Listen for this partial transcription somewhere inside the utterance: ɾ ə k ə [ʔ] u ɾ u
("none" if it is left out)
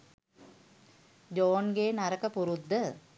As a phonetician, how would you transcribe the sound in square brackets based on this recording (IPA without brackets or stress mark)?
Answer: p